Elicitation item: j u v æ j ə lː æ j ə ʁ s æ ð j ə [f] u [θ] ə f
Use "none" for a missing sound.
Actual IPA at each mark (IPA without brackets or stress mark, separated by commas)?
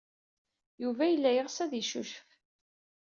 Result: ʃ, ʃ